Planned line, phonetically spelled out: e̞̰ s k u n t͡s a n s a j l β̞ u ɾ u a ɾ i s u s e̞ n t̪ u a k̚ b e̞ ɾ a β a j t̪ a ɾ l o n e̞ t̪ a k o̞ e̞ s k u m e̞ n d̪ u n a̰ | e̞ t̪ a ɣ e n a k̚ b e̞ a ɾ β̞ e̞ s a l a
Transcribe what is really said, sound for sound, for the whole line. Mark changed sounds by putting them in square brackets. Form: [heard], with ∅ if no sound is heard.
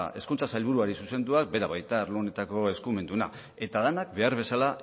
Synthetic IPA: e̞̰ s k u n t͡s a [∅] s a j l β̞ u ɾ u a ɾ i s u s e̞ n [d̪] u a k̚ b e̞ ɾ a β a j t̪ a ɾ l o n e̞ t̪ a k o̞ e̞ s k u m e̞ n d̪ u n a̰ | e̞ t̪ a [ð] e n a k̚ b e̞ a ɾ β̞ e̞ s a l a